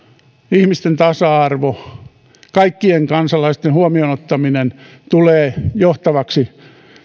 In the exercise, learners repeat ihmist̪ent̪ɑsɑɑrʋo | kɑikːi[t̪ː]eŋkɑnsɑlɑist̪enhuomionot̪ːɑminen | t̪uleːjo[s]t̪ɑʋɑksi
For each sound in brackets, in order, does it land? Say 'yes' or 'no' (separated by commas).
no, no